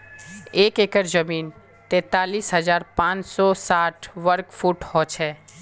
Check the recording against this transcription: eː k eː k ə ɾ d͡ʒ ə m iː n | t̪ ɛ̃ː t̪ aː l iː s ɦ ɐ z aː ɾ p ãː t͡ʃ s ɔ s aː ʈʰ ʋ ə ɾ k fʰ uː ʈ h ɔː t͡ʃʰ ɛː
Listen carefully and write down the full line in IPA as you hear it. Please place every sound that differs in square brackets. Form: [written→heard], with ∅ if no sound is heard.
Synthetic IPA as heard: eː k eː k ə ɾ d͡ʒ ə m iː n | t̪ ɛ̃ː t̪ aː l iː s ɦ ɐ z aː ɾ p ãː t͡ʃ s ɔ s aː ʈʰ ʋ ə ɾ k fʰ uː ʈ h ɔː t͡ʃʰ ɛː